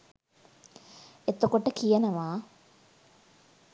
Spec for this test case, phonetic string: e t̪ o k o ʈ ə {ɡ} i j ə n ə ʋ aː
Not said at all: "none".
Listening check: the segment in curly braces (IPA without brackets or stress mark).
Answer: k